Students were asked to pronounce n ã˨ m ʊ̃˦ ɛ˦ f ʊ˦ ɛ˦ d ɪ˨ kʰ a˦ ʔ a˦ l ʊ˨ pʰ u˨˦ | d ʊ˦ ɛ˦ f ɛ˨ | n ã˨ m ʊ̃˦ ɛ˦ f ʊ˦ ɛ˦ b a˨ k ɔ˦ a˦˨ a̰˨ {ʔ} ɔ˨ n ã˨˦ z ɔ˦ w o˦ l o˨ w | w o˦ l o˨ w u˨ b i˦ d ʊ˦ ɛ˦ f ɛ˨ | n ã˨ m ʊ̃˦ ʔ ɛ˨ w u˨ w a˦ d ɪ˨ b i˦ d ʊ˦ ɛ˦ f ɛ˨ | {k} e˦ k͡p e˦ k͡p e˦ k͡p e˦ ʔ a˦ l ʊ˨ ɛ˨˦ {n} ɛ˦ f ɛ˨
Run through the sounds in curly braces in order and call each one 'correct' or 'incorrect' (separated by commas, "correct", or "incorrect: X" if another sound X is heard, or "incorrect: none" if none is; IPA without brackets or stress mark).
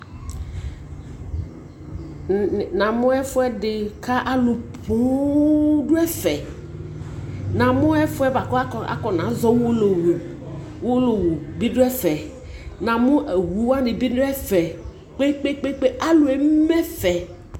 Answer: incorrect: k, incorrect: k͡p, incorrect: m